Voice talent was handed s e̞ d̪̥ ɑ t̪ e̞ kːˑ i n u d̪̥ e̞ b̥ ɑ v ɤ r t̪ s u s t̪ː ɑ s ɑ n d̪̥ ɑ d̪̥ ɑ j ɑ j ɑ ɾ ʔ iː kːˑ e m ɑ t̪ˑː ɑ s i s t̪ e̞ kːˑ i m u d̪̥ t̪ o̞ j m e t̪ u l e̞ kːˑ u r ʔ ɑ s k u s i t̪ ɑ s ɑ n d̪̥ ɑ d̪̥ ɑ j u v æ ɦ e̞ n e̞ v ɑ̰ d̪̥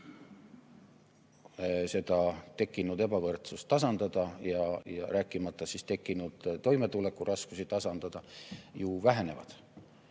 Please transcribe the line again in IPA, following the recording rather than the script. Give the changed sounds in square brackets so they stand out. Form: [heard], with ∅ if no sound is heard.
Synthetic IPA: s e̞ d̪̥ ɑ t̪ e̞ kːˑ i n u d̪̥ e̞ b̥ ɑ v ɤ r t̪ s u s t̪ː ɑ s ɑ n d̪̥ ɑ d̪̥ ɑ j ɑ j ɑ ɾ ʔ [æː] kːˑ [i] m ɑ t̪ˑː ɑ s i s t̪ e̞ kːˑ i [n] u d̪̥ t̪ o̞ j m e t̪ u l e̞ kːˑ u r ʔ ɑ s k u s i t̪ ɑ s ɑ n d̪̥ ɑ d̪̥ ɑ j u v æ ɦ e̞ n e̞ v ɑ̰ d̪̥